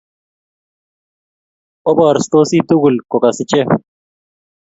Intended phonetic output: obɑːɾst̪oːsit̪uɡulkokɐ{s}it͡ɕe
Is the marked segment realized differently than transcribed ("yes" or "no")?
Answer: no